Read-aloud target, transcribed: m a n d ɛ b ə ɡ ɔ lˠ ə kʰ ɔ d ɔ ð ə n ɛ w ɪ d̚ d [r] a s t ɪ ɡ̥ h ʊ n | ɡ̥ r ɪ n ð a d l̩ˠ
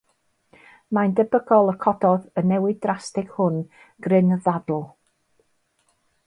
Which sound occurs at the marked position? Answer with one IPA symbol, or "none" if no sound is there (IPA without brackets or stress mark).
r